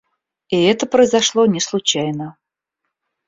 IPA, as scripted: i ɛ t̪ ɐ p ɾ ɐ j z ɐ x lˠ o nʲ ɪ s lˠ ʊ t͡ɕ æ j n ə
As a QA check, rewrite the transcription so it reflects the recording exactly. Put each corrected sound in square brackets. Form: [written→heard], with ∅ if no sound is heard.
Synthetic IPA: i ɛ t̪ [ɐ→ə] p ɾ [ɐ→ə] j z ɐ [x→ʂ] lˠ o nʲ ɪ s lˠ ʊ t͡ɕ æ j n ə